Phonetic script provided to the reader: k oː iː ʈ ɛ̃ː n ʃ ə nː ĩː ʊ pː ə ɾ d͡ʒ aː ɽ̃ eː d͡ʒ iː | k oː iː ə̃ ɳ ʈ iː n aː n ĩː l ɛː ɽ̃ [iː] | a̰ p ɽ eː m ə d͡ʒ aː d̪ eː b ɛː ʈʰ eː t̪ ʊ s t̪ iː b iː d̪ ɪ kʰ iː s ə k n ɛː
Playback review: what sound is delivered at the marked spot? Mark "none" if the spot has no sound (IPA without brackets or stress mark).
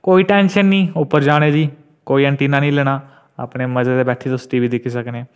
aː